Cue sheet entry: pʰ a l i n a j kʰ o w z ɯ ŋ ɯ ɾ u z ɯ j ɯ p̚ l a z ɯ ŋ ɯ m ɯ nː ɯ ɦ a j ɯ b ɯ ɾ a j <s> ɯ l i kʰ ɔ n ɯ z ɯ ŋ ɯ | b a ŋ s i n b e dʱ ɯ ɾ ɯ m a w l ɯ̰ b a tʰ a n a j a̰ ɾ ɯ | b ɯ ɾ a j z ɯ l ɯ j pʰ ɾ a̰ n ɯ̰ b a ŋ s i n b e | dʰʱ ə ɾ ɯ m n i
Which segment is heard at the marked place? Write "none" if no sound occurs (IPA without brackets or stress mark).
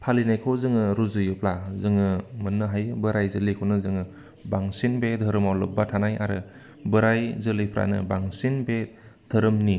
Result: z